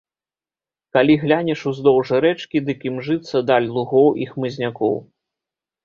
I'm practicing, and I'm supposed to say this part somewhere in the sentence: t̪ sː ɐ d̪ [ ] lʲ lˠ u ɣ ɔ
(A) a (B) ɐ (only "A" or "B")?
A